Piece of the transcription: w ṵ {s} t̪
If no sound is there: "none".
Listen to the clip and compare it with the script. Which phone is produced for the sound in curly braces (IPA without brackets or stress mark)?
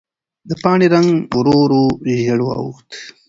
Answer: x